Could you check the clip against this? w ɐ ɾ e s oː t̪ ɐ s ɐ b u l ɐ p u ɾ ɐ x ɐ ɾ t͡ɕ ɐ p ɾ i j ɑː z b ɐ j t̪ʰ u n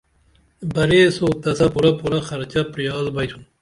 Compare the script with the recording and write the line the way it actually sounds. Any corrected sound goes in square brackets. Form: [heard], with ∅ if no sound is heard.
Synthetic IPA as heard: [b] ɐ ɾ e s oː t̪ ɐ s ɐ [p] u [ɾ] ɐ p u ɾ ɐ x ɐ ɾ t͡ɕ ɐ p ɾ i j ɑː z b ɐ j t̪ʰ u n

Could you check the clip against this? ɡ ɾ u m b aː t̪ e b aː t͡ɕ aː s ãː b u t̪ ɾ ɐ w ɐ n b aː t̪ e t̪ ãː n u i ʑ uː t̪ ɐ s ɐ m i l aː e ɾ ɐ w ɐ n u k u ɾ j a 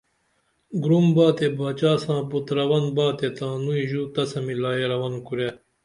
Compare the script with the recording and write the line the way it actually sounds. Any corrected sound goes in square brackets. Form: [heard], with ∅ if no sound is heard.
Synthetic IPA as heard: ɡ ɾ u m b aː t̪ e b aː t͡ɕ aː s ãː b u t̪ ɾ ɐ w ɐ n b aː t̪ e t̪ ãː n u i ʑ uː t̪ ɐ s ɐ m i l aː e ɾ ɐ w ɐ n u k u ɾ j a

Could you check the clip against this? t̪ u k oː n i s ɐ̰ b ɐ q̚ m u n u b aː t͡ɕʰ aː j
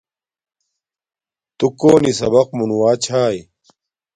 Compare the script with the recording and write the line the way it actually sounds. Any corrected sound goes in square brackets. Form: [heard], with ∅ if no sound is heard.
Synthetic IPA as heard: t̪ u k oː n i s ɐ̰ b ɐ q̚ m u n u [w] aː t͡ɕʰ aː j

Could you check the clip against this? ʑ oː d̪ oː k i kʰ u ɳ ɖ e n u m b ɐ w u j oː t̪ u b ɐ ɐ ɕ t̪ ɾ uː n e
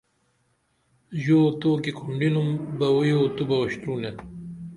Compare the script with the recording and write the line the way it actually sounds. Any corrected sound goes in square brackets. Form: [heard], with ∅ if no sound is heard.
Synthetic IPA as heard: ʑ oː [t̪] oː k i kʰ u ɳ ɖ [i] n u m b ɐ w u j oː t̪ u b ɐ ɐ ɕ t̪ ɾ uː n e

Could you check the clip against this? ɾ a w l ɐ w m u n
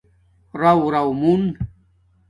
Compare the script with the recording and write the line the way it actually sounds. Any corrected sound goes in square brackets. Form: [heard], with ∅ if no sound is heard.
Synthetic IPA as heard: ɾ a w [ɾ] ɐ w m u n

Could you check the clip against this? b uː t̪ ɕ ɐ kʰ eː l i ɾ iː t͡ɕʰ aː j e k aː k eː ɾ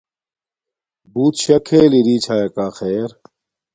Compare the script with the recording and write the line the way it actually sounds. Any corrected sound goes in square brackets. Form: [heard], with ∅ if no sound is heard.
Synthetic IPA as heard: b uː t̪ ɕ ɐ kʰ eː l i ɾ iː t͡ɕʰ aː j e k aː [x] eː ɾ

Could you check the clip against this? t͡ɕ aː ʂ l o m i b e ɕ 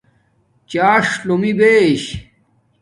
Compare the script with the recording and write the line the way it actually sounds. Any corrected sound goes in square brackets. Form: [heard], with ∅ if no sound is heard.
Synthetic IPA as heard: t͡ɕ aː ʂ l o m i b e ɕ

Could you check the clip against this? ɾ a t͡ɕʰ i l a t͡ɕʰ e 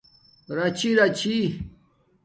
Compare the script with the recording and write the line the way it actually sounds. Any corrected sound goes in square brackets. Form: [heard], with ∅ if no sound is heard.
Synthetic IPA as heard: ɾ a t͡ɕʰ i [ɾ] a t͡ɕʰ [i]

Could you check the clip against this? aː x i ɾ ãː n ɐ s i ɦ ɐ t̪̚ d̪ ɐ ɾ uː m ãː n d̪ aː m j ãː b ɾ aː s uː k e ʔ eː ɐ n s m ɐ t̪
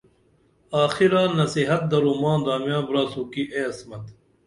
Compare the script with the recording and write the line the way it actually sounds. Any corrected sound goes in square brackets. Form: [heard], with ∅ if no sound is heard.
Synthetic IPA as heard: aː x i ɾ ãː n ɐ s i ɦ ɐ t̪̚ d̪ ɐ ɾ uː m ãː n d̪ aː m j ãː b ɾ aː s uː k [i] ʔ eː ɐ [∅] s m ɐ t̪

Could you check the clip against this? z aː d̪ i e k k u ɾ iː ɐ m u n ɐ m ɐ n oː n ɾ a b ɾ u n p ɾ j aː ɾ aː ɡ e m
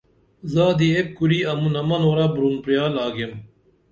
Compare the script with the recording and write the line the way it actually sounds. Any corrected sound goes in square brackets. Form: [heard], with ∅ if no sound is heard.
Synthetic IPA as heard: z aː d̪ i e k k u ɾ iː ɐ m u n ɐ m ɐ n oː [∅] ɾ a b ɾ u n p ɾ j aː [l] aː ɡ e m

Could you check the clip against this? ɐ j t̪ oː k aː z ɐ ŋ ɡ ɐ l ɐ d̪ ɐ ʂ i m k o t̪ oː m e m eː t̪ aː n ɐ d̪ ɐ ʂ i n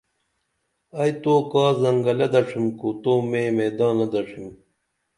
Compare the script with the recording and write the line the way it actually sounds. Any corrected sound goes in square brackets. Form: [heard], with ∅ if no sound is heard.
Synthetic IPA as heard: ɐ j t̪ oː k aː z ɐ ŋ ɡ ɐ l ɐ d̪ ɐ ʂ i m k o t̪ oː m e m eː [d̪] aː n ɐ d̪ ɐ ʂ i [m]

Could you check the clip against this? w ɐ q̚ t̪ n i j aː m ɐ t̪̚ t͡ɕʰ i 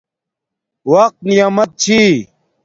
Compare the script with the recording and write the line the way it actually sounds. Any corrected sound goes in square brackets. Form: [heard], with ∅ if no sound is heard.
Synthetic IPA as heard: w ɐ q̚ t̪ n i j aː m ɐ t̪̚ t͡ɕʰ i

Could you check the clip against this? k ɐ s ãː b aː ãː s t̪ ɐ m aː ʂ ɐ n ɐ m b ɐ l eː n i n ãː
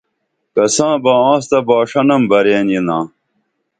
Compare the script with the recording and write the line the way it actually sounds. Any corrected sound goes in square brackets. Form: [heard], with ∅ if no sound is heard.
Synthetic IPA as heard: k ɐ s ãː b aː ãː s t̪ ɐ [b] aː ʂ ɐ n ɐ m b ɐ [ɾ] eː n i n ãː

